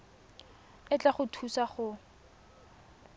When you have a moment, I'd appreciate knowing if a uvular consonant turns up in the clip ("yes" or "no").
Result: yes